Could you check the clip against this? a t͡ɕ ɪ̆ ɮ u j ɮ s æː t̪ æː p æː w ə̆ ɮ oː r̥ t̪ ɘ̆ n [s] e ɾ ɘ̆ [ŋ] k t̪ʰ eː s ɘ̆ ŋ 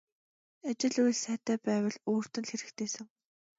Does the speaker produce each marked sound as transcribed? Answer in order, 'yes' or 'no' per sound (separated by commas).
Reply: no, no